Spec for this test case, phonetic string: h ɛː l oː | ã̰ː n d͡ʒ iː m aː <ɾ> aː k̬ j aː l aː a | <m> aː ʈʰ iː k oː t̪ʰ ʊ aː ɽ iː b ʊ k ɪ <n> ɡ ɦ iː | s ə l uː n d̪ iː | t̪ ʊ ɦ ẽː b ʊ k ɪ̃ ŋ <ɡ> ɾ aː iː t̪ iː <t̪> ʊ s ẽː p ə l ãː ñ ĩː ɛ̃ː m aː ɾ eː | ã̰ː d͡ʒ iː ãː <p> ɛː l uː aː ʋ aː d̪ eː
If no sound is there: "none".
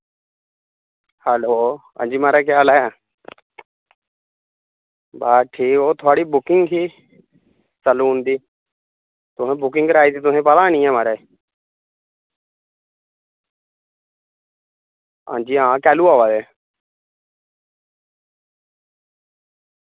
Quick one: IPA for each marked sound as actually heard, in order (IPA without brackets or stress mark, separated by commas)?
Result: ɾ, b, ŋ, ɡ, t̪, k